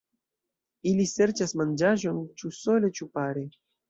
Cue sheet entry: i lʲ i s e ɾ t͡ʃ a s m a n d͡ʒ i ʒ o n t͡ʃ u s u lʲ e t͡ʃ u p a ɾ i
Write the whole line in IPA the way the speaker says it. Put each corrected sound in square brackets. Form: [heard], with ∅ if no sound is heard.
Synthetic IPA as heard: i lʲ i s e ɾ t͡ʃ a s m a n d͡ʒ [a] ʒ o n t͡ʃ u s [o] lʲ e t͡ʃ u p a ɾ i